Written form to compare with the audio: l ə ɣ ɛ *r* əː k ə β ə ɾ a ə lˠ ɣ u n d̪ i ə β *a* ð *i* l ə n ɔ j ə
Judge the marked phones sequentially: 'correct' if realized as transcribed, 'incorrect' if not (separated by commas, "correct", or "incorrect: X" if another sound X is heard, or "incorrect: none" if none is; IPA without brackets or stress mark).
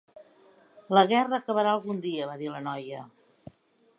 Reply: correct, correct, correct